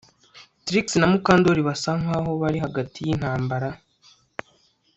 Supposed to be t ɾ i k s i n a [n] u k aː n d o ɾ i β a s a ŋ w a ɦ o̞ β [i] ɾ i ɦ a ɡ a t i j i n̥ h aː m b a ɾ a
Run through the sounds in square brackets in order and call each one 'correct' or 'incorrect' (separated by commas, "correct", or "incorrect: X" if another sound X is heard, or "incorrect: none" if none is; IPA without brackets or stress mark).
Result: incorrect: m, incorrect: a